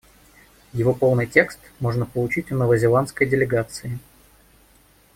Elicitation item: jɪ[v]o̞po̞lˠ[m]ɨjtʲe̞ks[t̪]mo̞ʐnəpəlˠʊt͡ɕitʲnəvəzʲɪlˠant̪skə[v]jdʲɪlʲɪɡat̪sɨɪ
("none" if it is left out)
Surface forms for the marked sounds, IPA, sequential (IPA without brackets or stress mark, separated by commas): v, n, t̪, none